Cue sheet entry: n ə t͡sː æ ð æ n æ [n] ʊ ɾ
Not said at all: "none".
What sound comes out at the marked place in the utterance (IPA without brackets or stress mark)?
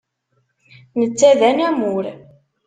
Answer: m